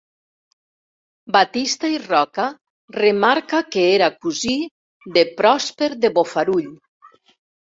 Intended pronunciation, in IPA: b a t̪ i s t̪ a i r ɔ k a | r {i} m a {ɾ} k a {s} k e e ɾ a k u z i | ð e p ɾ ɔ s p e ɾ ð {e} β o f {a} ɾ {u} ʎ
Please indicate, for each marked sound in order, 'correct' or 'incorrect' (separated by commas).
incorrect, correct, incorrect, correct, correct, correct